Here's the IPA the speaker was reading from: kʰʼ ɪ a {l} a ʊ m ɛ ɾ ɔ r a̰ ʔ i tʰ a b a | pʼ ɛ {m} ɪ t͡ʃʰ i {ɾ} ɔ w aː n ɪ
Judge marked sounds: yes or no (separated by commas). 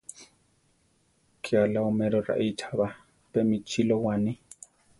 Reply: yes, yes, no